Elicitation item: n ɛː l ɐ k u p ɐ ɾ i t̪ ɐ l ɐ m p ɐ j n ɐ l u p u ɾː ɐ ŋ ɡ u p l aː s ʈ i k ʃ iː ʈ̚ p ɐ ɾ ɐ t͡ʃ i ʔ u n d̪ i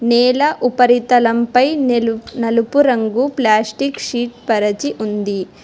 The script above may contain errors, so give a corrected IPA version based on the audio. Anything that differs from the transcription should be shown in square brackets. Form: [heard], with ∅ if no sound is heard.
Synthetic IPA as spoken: n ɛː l ɐ [ʔ] u p ɐ ɾ i t̪ ɐ l ɐ m p ɐ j n ɐ l u p u [ɾ] ɐ ŋ ɡ u p l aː s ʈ i k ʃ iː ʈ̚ p ɐ ɾ ɐ t͡ʃ i ʔ u n d̪ i